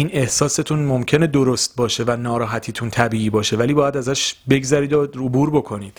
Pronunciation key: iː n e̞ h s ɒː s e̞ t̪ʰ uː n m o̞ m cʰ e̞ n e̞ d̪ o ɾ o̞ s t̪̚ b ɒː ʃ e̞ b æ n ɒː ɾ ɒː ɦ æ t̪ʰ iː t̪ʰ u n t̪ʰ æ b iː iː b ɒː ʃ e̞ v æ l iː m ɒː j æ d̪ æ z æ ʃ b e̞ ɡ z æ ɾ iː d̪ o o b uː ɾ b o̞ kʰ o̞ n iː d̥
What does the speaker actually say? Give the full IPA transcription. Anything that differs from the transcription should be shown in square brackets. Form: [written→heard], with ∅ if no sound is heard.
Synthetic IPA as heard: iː n e̞ h s ɒː s e̞ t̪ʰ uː n m o̞ m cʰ e̞ n e̞ d̪ o ɾ o̞ s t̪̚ b ɒː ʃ e̞ [b→v] æ n ɒː ɾ ɒː ɦ æ t̪ʰ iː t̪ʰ u n t̪ʰ æ b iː iː b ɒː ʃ e̞ v æ l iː [m→b] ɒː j æ d̪ æ z æ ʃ b e̞ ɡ z æ ɾ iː d̪ o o b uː ɾ b o̞ kʰ o̞ n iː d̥